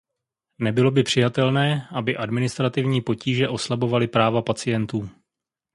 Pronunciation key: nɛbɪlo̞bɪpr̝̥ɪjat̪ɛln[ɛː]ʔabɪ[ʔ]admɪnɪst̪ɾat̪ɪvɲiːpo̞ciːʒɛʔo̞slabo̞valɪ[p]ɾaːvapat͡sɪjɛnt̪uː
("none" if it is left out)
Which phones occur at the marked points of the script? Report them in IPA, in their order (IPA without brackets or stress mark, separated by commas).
ɛː, ʔ, p